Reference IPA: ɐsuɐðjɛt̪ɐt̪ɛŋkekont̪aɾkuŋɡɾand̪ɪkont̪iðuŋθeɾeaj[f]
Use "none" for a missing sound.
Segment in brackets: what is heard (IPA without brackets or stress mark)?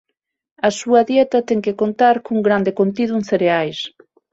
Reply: s